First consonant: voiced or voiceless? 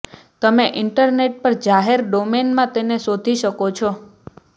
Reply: voiceless